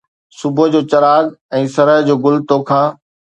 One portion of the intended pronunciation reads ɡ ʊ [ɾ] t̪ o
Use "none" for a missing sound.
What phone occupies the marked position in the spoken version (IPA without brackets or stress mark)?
l